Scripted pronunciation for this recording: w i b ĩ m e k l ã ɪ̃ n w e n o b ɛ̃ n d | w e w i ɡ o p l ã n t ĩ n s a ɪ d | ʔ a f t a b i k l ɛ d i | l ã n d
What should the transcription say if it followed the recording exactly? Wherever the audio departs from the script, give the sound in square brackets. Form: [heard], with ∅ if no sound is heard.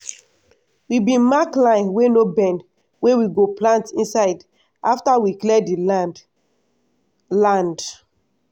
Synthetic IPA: w i b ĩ m [a] k l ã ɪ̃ n w e n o b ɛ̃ n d | w e w i ɡ o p l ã n t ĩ n s a ɪ d | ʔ a f t a [w] i k l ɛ d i | l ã n d